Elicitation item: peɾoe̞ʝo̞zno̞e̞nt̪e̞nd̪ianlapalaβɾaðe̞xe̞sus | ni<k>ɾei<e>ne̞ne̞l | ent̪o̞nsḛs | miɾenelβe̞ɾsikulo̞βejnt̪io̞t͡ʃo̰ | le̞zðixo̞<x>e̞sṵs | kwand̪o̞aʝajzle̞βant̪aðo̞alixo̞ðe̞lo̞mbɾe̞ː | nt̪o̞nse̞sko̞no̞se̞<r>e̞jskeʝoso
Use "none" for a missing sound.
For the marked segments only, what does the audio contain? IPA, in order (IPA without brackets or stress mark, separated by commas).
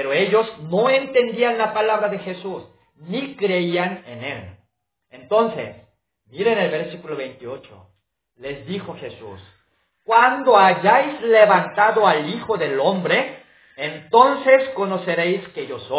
k, a, x, ɾ